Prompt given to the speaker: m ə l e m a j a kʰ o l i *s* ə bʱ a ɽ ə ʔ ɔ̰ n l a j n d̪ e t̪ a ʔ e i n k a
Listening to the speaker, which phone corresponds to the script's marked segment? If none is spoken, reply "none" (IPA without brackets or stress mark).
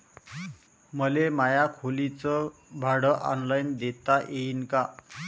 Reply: t͡s